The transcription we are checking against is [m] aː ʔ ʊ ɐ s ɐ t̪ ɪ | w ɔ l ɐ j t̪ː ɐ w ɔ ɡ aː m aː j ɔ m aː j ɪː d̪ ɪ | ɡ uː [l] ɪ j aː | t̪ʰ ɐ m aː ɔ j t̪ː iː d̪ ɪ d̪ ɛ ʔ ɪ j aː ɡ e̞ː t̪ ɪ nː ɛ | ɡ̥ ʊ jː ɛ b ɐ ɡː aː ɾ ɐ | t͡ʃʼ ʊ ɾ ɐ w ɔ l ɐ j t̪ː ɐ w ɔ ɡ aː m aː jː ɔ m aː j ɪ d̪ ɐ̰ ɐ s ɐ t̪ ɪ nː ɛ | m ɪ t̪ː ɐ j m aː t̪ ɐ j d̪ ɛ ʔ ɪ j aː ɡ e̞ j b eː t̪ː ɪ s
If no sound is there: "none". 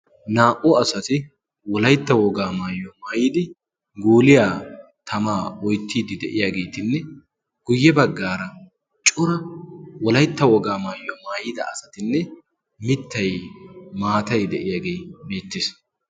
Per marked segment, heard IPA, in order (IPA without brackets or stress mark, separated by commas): n, l